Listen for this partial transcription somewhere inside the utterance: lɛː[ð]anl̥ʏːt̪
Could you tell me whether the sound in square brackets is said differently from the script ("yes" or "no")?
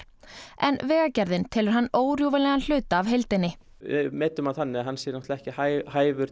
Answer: yes